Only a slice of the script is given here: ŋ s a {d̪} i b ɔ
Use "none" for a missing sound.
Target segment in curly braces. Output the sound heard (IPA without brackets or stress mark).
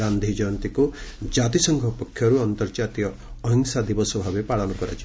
d̪